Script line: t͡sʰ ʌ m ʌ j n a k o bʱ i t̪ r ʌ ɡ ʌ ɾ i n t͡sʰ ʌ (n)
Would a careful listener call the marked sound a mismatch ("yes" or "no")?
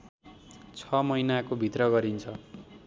yes